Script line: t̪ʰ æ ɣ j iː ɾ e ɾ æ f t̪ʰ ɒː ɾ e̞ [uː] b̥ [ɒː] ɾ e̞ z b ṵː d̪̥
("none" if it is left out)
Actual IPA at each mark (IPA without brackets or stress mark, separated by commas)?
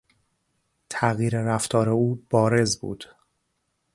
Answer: uː, ɒː